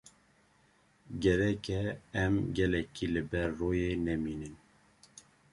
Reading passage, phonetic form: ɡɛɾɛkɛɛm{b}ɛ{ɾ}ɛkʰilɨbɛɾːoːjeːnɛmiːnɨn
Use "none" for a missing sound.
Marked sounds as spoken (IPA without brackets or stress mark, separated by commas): ɡ, l